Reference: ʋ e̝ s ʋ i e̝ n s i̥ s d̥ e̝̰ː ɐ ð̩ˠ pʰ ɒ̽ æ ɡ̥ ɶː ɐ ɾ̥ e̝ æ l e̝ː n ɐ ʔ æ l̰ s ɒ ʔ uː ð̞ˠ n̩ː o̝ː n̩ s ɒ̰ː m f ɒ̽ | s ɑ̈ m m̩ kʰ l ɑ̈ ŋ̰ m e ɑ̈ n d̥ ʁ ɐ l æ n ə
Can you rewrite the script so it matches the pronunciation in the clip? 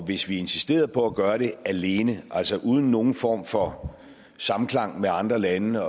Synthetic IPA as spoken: ʋ e̝ s ʋ i e̝ n s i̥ s d̥ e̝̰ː ɐ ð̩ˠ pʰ ɒ̽ æ ɡ̥ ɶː ɐ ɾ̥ e̝ æ l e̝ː n ə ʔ æ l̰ s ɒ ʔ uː ð̞ˠ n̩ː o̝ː n̩ f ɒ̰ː m f ɒ̽ | s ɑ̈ m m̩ kʰ l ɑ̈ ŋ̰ m e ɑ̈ n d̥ ʁ ɐ l æ n ə